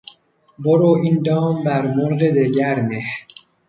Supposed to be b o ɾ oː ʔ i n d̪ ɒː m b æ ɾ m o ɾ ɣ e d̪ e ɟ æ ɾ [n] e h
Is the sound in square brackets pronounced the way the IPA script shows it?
yes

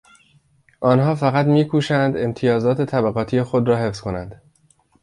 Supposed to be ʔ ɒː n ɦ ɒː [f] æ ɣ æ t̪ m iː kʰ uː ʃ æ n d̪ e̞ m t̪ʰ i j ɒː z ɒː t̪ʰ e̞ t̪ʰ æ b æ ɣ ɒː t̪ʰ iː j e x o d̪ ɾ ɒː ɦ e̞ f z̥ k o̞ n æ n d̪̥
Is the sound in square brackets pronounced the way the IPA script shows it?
yes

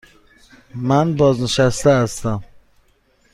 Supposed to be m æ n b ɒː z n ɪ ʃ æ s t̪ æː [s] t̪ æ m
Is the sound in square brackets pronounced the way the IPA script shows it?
yes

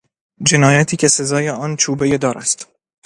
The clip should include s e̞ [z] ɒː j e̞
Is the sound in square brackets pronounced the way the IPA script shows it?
yes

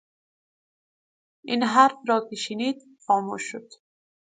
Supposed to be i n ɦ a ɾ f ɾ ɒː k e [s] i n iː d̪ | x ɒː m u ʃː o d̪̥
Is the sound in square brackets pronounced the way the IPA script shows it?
no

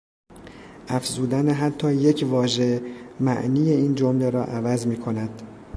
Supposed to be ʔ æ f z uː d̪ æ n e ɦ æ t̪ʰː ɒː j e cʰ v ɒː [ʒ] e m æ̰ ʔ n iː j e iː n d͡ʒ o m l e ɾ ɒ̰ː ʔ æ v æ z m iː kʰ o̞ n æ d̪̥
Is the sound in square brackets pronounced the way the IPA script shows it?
yes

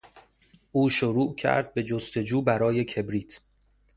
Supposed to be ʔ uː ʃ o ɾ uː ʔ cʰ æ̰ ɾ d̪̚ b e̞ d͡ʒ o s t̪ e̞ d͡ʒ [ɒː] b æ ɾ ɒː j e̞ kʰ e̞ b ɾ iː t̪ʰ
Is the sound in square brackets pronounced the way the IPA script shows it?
no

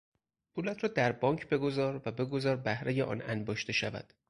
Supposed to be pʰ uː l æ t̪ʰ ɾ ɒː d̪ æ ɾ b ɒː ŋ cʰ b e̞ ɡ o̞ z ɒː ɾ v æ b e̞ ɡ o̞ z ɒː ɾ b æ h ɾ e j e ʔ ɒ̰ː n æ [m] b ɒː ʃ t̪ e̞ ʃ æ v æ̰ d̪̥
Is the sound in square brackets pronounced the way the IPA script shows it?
no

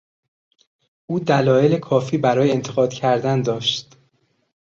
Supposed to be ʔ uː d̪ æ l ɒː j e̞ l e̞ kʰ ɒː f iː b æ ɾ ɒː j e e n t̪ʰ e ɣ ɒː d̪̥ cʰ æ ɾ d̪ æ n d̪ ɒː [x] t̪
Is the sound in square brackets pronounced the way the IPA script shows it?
no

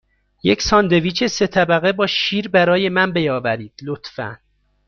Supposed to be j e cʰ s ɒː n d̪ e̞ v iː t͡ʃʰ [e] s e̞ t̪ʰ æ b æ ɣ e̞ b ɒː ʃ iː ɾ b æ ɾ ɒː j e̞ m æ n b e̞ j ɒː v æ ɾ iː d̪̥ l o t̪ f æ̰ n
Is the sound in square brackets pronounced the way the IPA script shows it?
yes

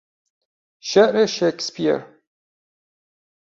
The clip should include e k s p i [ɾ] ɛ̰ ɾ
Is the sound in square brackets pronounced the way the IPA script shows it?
no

